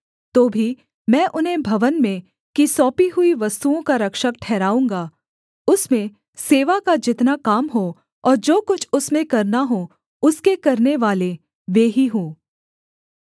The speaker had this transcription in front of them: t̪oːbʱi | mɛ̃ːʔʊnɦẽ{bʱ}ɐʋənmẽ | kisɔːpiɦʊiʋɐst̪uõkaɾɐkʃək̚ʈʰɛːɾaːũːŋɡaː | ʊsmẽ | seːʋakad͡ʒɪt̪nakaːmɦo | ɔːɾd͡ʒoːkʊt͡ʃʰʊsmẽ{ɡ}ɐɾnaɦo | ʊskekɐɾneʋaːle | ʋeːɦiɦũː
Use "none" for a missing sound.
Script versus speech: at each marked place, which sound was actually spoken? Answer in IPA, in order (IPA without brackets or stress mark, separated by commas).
bʱ, k